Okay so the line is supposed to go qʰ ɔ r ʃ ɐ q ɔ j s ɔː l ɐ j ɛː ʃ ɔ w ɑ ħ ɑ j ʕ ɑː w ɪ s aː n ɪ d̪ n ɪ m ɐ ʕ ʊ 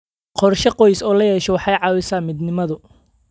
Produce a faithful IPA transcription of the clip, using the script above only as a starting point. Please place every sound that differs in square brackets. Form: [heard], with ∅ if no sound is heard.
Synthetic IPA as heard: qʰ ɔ r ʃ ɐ q ɔ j s ɔː l ɐ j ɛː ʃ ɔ w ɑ ħ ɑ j ʕ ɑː w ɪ s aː [m] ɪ d̪ n ɪ m ɐ [ð] ʊ